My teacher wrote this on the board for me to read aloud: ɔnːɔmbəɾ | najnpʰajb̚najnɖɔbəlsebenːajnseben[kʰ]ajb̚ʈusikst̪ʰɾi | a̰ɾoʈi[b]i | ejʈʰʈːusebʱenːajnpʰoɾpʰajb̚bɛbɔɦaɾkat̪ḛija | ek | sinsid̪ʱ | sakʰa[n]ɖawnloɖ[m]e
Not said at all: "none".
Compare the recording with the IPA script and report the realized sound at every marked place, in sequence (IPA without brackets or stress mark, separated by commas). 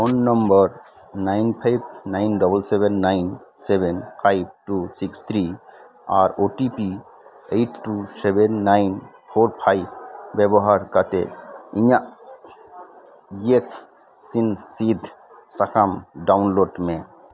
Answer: pʰ, p, m, m